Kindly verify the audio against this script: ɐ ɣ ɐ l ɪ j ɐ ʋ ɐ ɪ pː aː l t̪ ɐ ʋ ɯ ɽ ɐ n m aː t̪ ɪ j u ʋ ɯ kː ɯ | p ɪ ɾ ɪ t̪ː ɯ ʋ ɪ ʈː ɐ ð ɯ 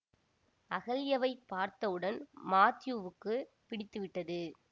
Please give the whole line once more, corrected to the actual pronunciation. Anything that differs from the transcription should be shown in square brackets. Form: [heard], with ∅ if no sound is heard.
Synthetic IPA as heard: ɐ ɣ ɐ l ɪ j ɐ ʋ ɐ ɪ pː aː [ɾ] t̪ ɐ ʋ ɯ ɽ ɐ n m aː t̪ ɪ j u ʋ ɯ kː ɯ | p ɪ [ɽ] ɪ t̪ː ɯ ʋ ɪ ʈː ɐ ð ɯ